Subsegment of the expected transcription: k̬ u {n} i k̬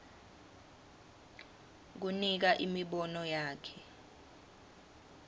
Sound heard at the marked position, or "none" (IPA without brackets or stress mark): n